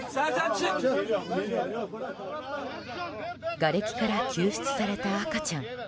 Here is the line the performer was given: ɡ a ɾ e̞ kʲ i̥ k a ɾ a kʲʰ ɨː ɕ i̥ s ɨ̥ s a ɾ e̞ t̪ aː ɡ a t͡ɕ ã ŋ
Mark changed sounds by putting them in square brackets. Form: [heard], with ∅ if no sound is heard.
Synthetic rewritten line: ɡ a ɾ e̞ kʲ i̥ k a ɾ a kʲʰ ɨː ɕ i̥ [t͡s] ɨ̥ s a ɾ e̞ t̪ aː [k] a t͡ɕ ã ŋ